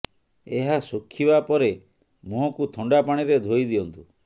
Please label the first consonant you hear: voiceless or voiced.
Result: voiced